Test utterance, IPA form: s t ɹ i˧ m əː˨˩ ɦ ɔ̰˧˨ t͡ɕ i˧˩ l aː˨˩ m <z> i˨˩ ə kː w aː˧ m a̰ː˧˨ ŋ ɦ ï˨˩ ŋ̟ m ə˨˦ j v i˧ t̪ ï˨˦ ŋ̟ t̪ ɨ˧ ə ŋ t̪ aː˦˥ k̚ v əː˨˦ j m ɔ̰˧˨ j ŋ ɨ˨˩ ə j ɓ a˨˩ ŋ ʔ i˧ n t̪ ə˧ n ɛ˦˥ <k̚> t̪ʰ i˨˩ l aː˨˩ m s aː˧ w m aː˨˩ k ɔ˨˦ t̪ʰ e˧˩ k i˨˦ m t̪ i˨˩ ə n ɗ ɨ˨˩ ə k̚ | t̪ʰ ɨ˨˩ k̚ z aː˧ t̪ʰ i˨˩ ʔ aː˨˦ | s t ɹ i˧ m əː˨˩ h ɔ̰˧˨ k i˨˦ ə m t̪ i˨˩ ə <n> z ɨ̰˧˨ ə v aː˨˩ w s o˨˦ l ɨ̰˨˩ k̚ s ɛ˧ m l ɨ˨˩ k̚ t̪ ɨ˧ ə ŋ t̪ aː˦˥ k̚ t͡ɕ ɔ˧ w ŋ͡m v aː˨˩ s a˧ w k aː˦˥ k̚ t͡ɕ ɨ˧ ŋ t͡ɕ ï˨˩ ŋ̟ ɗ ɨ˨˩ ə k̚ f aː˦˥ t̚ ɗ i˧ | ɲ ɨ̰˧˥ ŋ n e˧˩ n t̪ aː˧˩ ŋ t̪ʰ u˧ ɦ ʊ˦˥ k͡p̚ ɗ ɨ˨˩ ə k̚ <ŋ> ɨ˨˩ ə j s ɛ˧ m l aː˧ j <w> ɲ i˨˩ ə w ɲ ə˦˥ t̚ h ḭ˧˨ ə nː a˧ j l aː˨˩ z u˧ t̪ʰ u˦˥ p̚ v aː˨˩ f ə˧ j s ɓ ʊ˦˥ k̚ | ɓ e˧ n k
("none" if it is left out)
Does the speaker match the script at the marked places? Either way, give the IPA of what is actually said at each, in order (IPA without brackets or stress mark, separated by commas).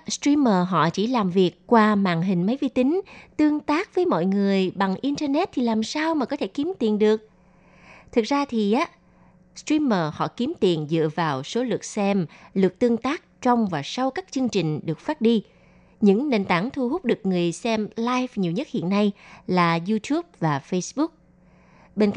v, t̚, n, ŋ, v